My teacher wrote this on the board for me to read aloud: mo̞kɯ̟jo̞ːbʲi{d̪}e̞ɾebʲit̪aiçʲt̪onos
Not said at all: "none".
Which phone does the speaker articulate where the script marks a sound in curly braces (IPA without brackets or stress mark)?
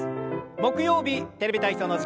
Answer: t̪